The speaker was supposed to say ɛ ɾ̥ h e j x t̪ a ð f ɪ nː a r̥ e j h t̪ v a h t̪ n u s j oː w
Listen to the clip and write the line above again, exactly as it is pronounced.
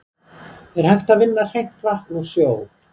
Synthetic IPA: ɛ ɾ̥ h a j f t̪ a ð v ɪ nː a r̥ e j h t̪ v a h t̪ n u s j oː w